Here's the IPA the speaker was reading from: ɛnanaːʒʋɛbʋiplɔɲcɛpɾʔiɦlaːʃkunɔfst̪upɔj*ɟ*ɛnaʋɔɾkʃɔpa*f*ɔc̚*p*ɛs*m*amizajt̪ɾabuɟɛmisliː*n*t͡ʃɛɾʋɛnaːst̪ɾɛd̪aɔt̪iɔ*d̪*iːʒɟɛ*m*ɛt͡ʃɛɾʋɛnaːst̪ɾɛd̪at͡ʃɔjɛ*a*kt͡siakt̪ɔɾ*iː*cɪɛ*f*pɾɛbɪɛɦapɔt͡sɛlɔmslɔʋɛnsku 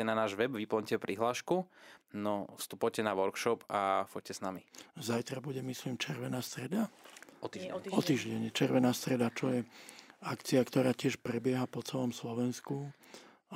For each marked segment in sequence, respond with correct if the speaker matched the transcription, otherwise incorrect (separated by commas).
incorrect, correct, incorrect, incorrect, incorrect, incorrect, incorrect, correct, incorrect, incorrect